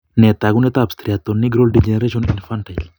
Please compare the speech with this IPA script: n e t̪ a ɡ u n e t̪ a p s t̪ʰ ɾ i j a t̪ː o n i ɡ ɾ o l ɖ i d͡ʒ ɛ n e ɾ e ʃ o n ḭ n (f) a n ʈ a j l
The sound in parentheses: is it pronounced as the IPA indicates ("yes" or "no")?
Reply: yes